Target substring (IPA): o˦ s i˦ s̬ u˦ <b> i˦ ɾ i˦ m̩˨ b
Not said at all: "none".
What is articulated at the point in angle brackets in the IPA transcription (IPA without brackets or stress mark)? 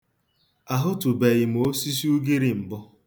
ɡ